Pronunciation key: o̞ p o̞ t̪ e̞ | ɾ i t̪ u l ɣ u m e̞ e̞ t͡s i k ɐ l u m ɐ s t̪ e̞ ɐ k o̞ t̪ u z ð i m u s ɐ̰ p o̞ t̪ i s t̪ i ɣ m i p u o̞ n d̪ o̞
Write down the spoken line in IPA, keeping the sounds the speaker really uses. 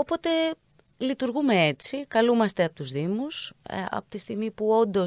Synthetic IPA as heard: o̞ p o̞ t̪ e̞ | l i t̪ u ɾ ɣ u m e̞ e̞ t͡s i k ɐ l u m ɐ s t̪ e̞ ɐ p o̞ t̪ u z ð i m u s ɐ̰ p o̞ t̪ i s t̪ i ɣ m i p u o̞ n d̪ o̞